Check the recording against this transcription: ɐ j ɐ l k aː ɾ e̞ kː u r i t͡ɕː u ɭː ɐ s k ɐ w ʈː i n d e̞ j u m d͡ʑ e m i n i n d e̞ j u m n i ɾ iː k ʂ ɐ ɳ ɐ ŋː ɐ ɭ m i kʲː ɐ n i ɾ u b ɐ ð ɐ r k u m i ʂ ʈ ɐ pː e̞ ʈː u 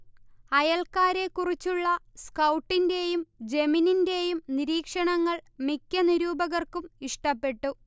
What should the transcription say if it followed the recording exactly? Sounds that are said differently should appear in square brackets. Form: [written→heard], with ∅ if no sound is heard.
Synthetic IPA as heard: ɐ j ɐ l k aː ɾ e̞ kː u r i t͡ɕː u ɭː ɐ s k ɐ w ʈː i n d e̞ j u m d͡ʑ e m i n i n d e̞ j u m n i ɾ iː k ʂ ɐ ɳ ɐ ŋː ɐ ɭ m i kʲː ɐ n i ɾ [u→uː] b ɐ [ð→ɣ] ɐ r k u m i ʂ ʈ ɐ pː e̞ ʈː u